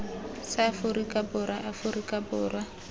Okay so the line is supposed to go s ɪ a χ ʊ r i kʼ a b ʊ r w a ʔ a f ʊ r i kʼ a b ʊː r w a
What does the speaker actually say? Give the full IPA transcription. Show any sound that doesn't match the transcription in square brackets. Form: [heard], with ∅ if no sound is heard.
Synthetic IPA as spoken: s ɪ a [f] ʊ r i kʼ a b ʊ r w a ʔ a f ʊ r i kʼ a b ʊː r w a